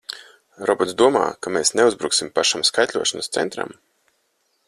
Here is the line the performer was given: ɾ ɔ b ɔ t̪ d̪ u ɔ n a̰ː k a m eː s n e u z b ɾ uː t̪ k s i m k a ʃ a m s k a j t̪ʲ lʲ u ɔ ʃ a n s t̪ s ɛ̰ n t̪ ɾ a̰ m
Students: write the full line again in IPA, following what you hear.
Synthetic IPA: ɾ ɔ b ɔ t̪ d̪ u ɔ m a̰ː k a m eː s n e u z b ɾ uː k s i m p a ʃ a m s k a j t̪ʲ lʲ u ɔ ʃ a n s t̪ s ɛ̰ n t̪ ɾ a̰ m